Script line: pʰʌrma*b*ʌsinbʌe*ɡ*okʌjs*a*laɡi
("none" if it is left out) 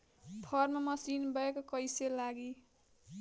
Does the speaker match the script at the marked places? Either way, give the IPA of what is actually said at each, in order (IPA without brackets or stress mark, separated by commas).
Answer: m, k, e